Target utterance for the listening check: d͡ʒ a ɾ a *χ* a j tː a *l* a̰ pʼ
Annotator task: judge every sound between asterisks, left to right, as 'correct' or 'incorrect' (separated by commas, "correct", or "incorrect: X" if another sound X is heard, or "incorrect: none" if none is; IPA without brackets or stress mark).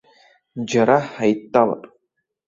incorrect: ħ, correct